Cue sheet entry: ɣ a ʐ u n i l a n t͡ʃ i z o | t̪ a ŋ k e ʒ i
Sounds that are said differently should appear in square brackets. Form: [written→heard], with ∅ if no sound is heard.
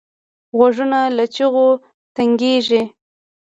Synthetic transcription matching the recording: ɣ a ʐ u n [i→a] l a [n→∅] t͡ʃ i [z→ɣ] o | t̪ a ŋ [k→ɡ] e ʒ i